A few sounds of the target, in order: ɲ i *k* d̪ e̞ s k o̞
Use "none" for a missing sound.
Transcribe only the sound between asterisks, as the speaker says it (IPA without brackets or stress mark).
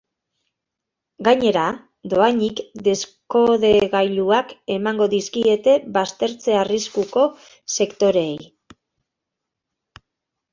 k